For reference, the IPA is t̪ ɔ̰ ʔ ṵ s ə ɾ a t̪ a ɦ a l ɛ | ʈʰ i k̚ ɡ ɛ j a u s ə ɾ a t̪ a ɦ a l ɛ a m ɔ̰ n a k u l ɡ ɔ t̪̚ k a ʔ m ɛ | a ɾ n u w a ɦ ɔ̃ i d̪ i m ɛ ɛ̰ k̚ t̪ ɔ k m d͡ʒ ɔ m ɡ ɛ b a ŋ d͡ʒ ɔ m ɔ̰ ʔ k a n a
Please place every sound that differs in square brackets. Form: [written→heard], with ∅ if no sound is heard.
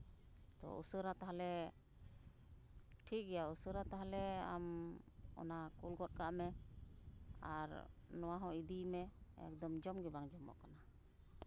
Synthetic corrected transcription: t̪ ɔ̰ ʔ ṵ s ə ɾ a t̪ a ɦ a l ɛ | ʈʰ i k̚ ɡ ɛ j a u s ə ɾ a t̪ a ɦ a l ɛ a m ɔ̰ n a k u l ɡ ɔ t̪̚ k a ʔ m ɛ | a ɾ n [u→ɔ] w a ɦ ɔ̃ i d̪ i m ɛ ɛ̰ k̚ [t̪→d̪] ɔ [k→∅] m d͡ʒ ɔ m ɡ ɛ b a ŋ d͡ʒ ɔ m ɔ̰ ʔ k a n a